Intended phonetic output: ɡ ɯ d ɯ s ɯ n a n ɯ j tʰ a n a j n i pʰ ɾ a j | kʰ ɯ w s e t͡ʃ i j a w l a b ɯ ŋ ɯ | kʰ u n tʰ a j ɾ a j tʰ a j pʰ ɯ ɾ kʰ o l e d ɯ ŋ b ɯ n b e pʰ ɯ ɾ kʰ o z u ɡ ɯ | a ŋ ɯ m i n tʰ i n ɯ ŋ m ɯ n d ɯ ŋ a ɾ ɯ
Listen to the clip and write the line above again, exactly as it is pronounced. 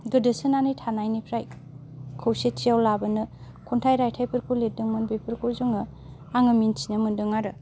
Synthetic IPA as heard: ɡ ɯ d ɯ s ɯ n a n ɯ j tʰ a n a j n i pʰ ɾ a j | kʰ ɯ w s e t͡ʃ i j a w l a b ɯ n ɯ | kʰ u n tʰ a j ɾ a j tʰ a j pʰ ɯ ɾ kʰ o l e d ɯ ŋ m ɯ n b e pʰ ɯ ɾ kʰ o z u ŋ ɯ | a ŋ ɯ m i n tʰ i n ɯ m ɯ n d ɯ ŋ a ɾ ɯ